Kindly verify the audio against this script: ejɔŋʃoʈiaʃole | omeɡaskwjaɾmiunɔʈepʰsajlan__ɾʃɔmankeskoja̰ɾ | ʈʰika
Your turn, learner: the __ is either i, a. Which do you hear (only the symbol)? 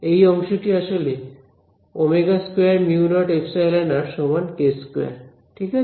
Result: a